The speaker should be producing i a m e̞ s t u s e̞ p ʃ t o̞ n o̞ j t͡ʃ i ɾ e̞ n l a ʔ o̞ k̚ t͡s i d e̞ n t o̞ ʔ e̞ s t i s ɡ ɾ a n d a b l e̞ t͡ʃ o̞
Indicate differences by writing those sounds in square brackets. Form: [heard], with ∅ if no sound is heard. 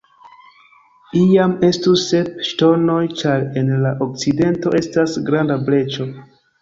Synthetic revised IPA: i a m e̞ s t u s e̞ p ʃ t o̞ n o̞ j t͡ʃ [a] ɾ e̞ n l a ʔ o̞ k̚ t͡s i d e̞ n t o̞ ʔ e̞ s t [a] s ɡ ɾ a n d a b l e̞ t͡ʃ o̞

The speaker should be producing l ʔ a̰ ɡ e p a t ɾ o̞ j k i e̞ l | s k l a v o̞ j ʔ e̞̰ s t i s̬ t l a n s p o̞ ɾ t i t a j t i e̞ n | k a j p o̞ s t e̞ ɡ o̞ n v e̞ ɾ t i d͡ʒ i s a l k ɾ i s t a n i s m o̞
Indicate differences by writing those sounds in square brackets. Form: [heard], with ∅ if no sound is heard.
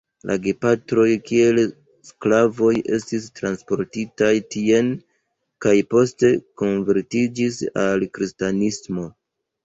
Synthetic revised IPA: l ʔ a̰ ɡ e p a t ɾ o̞ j k i e̞ l | s k l a v o̞ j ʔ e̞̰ s t i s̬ t [ɾ] a n s p o̞ ɾ t i t a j t i e̞ n | k a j p o̞ s t e̞ [k] o̞ n v e̞ ɾ t i d͡ʒ i s a l k ɾ i s t a n i s m o̞

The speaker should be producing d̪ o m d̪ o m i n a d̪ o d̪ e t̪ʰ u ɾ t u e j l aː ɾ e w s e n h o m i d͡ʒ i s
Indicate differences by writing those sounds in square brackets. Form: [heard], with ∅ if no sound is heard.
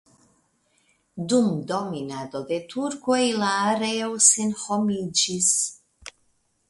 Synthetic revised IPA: d̪ [u] m d̪ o m i n a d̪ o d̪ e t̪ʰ u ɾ [k] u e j l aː ɾ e w s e n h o m i d͡ʒ i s

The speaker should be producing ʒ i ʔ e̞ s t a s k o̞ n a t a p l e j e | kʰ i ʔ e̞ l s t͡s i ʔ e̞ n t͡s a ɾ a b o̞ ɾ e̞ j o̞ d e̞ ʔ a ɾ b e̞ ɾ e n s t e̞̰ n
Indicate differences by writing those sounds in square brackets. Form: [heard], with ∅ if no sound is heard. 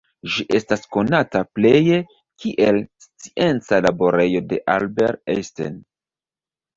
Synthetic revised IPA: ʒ i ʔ e̞ s t a s k o̞ n a t a p l e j e | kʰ i ʔ e̞ l s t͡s i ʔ e̞ n t͡s a [l] a b o̞ ɾ e̞ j o̞ d e̞ ʔ a [l] b e̞ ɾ e [∅] s t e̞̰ n

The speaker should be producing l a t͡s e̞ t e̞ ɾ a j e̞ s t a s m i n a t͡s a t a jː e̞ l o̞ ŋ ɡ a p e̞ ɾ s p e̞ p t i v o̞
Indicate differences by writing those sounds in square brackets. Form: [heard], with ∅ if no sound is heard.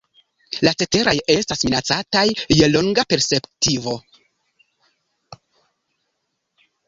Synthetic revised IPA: l a t͡s e̞ t e̞ ɾ a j e̞ s t a s m i n a t͡s a t a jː e̞ l o̞ ŋ ɡ a p e̞ ɾ s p e̞ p t i v o̞

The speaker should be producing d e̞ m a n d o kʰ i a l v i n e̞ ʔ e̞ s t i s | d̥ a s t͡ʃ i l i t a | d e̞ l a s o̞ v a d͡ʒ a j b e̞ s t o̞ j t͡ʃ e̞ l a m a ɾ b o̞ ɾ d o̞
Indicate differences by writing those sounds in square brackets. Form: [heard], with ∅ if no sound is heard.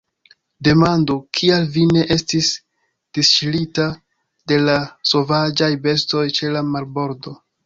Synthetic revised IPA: d e̞ m a n d o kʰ i a l v i n e̞ ʔ e̞ s t i s | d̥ [i] s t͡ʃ i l i t a | d e̞ l a s o̞ v a d͡ʒ a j b e̞ s t o̞ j t͡ʃ e̞ l a m a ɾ b o̞ ɾ d o̞

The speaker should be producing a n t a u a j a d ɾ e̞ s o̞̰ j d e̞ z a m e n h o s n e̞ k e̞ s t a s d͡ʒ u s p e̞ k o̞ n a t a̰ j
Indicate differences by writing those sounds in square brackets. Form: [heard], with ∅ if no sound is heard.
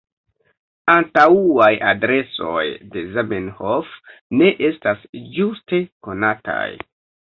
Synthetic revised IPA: a n t a u a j a d ɾ e̞ s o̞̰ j d e̞ z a m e n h o [f] n e̞ [ʔ] e̞ s t a s d͡ʒ u s [t] e̞ k o̞ n a t a̰ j

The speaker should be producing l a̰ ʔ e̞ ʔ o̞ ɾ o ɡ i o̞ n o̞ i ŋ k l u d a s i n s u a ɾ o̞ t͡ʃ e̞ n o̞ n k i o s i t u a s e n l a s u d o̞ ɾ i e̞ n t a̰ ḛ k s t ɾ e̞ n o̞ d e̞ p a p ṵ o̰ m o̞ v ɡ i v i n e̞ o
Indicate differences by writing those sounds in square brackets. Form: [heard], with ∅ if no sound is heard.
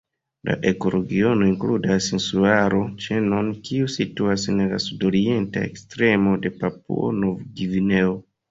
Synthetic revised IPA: l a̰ ʔ e̞ [k] o̞ ɾ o ɡ i o̞ n o̞ i ŋ k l u d a s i n s u a ɾ o̞ t͡ʃ e̞ n o̞ n k i [u] s i t u a s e n l a s u d o̞ ɾ i e̞ n t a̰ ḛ k s t ɾ e̞ [m] o̞ d e̞ p a p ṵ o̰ [n] o̞ v ɡ i v i n e̞ o

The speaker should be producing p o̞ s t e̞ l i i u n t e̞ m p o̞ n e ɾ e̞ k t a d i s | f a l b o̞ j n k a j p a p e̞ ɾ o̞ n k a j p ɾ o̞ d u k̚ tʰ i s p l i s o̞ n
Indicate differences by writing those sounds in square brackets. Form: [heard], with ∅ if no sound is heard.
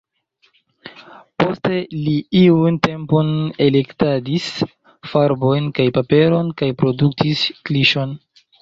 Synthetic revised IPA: p o̞ s t e̞ l i i u n t e̞ m p o̞ n e [l] e̞ k t a d i s | f a [ɾ] b o̞ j n k a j p a p e̞ ɾ o̞ n k a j p ɾ o̞ d u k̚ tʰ i s [k] l i [ʃ] o̞ n

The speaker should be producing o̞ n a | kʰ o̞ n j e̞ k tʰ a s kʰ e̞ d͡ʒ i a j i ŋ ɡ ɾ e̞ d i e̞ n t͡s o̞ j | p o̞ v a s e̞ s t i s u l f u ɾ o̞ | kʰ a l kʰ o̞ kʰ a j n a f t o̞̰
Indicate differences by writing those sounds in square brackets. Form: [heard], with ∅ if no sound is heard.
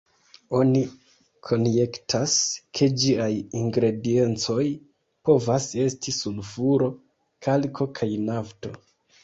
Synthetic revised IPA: o̞ n [i] | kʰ o̞ n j e̞ k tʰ a s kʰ e̞ d͡ʒ i a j i ŋ ɡ ɾ e̞ d i e̞ n t͡s o̞ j | p o̞ v a s e̞ s t i s u l f u ɾ o̞ | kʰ a l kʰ o̞ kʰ a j n a f t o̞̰

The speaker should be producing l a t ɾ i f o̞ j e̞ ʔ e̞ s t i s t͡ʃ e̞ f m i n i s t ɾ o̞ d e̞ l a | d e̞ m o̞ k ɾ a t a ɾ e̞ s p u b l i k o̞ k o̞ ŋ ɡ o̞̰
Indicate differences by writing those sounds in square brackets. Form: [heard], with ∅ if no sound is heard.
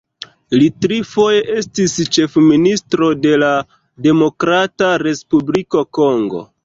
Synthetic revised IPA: l [i] t ɾ i f o̞ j e̞ ʔ e̞ s t i s t͡ʃ e̞ f m i n i s t ɾ o̞ d e̞ l a | d e̞ m o̞ k ɾ a t a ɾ e̞ s p u b l i k o̞ k o̞ ŋ ɡ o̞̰

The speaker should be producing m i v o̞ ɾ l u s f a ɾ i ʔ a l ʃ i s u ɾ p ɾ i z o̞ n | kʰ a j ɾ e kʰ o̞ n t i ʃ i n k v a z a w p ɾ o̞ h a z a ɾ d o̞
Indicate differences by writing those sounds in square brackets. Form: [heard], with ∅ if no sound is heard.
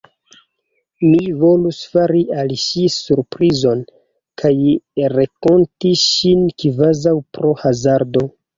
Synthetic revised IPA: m i v o̞ [∅] l u s f a ɾ i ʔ a l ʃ i s u ɾ p ɾ i z o̞ n | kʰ a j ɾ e [k] o̞ n t i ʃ i n k v a z a w p ɾ o̞ h a z a ɾ d o̞

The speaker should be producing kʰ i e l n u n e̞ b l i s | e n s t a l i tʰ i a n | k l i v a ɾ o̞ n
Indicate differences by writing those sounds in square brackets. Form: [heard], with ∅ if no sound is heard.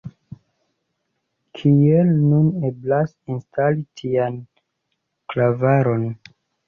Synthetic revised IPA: kʰ i e l n u n e̞ b l [a] s | [i] n s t a l i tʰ i a n | k l [a] v a ɾ o̞ n

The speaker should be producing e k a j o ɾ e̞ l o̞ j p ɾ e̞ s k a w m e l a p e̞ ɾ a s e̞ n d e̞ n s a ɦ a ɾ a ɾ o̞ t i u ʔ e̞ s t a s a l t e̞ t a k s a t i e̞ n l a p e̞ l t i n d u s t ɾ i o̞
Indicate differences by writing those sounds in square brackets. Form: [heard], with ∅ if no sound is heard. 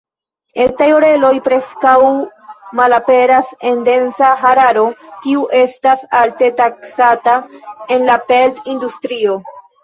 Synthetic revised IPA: e [t] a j o ɾ e̞ l o̞ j p ɾ e̞ s k a w m [a] l a p e̞ ɾ a s e̞ n d e̞ n s a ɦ a ɾ a ɾ o̞ t i u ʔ e̞ s t a s a l t e̞ t a k s a t [a] e̞ n l a p e̞ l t i n d u s t ɾ i o̞

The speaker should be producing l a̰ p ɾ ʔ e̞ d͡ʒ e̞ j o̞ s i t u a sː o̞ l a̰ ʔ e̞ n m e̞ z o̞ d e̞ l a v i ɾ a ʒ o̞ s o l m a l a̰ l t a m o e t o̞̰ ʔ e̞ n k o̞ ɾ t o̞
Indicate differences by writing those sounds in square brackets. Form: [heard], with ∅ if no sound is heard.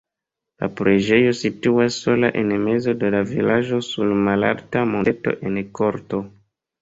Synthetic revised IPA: l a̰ p ɾ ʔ e̞ d͡ʒ e̞ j o̞ s i t u a sː o̞ l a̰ ʔ e̞ n m e̞ z o̞ d e̞ l a v i [l] a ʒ o̞ s [u] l m a l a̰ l t a m o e t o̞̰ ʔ e̞ n k o̞ ɾ t o̞

